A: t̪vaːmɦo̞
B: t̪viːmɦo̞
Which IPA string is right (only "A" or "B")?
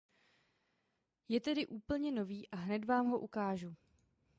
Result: A